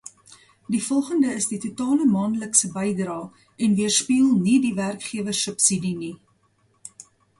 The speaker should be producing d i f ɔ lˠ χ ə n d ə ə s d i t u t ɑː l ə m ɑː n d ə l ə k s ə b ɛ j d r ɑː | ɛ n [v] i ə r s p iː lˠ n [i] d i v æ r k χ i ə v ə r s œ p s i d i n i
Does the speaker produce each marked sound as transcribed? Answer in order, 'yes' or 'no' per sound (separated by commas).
yes, yes